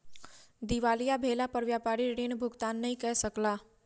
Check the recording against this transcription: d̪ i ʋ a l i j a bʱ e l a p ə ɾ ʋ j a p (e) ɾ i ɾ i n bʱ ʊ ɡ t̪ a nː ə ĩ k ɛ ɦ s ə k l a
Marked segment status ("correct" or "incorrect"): incorrect